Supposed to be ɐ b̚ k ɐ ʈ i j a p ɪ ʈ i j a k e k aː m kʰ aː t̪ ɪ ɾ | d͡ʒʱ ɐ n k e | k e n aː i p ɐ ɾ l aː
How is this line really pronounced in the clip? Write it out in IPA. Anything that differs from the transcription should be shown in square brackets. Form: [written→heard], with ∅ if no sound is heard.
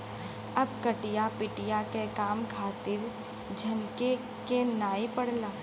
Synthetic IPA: ɐ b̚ k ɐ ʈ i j a p ɪ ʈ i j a k e k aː m kʰ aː t̪ ɪ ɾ | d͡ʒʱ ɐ n k e | k e n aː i p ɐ [ɾ→ɽ] l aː

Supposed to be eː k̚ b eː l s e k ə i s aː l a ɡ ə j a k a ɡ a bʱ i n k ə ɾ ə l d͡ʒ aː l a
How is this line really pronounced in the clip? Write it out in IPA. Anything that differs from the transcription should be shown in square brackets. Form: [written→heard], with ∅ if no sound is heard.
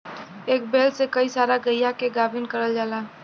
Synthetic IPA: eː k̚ b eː l s e k ə i s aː [l→ɾ] a ɡ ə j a k [a→e] ɡ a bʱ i n k ə ɾ ə l d͡ʒ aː l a

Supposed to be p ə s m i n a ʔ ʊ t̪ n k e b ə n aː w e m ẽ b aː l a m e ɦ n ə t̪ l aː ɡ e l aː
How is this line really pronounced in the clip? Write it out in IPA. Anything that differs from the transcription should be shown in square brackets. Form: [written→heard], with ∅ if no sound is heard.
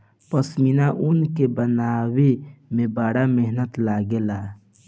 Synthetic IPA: p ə s m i n a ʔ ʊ [t̪→∅] n k e b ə n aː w e m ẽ b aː [l→ɽ] a m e ɦ n ə t̪ l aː ɡ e l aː

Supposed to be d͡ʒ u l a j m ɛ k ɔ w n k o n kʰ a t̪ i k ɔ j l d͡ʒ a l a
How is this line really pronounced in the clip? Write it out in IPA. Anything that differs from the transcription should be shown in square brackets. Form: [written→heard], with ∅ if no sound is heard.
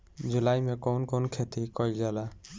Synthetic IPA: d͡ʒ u l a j m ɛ k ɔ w n k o n kʰ [a→e] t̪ i k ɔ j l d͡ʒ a l a

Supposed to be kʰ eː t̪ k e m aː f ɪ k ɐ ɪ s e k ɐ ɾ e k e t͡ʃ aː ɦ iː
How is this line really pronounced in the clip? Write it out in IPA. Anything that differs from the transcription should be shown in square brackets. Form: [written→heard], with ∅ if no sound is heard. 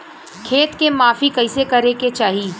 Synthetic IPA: kʰ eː t̪ k e m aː f [ɪ→i] k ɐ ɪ s e k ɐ ɾ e k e t͡ʃ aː ɦ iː

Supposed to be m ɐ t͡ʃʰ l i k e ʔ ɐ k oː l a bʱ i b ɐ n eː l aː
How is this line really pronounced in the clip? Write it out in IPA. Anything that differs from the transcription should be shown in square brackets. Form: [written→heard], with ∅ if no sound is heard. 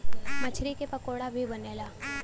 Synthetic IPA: m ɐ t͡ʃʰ [l→ɾ] i k e [ʔ→p] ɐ k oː [l→ɽ] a bʱ i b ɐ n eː l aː

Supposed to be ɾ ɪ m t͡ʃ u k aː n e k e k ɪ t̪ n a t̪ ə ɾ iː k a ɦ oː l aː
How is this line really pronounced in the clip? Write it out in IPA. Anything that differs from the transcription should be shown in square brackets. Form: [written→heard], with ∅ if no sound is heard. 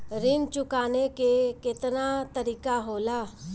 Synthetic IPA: ɾ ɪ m t͡ʃ [u→ʊ] k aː n e k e k ɪ t̪ n a t̪ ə ɾ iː k a ɦ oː l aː

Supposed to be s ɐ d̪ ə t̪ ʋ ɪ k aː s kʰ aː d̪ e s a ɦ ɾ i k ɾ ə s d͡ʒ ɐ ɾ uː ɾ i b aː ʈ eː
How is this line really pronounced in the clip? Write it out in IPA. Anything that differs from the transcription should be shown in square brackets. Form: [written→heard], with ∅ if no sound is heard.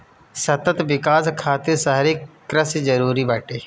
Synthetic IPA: s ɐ [d̪→t̪] ə t̪ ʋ ɪ k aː s kʰ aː [d̪→t̪] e s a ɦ ɾ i k ɾ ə s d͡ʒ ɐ ɾ uː ɾ i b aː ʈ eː

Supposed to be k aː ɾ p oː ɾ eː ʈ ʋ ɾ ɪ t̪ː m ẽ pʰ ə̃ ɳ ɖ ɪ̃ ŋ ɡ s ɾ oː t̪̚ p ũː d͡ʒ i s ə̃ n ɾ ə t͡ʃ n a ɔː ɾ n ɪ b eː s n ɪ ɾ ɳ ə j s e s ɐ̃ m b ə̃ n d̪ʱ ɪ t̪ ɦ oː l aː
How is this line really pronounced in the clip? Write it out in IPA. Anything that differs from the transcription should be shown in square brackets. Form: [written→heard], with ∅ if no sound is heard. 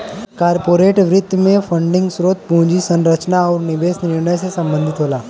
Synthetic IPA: k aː ɾ p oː ɾ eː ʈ ʋ ɾ ɪ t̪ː m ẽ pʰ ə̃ ɳ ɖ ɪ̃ ŋ ɡ s ɾ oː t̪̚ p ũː d͡ʒ i s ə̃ n ɾ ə t͡ʃ n a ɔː ɾ n ɪ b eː s n ɪ ɾ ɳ ə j s e s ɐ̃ m b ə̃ n d̪ʱ ɪ t̪ ɦ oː l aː

